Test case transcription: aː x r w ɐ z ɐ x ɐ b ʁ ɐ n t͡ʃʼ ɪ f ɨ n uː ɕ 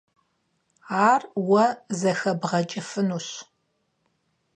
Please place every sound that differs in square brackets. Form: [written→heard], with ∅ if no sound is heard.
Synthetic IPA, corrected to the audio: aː [x→∅] r w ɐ z ɐ x ɐ b ʁ ɐ [n→∅] t͡ʃʼ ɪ f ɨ n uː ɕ